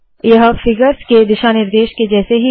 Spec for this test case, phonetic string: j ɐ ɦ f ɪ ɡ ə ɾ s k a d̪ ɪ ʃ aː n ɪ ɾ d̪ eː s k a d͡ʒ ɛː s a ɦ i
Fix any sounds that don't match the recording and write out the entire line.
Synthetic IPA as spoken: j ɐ ɦ f ɪ ɡ ə ɾ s k e d̪ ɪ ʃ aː n ɪ ɾ d̪ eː ʃ k e d͡ʒ ɛː s e ɦ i